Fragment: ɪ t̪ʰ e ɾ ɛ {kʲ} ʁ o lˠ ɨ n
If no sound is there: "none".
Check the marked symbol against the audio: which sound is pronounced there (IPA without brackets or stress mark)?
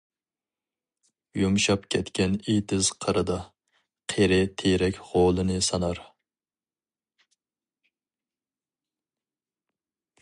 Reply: kʲ